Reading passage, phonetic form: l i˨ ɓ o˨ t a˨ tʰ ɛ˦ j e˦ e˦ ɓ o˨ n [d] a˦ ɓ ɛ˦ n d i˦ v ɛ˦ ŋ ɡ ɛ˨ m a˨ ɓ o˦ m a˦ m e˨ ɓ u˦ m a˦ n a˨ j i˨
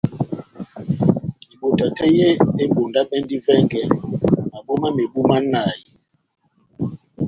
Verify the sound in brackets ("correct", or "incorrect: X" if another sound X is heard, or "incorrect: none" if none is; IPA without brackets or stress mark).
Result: correct